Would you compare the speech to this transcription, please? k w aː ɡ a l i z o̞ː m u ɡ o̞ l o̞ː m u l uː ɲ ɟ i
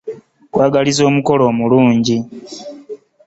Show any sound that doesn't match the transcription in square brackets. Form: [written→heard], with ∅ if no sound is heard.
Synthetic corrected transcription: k w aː ɡ a l i z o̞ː m u [ɡ→k] o̞ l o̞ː m u l uː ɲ ɟ i